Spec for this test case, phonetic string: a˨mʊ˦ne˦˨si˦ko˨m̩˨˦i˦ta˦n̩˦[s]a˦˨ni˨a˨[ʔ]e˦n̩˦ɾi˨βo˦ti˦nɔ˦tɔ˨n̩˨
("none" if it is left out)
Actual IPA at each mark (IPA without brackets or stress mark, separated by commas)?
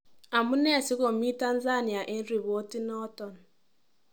z, ʔ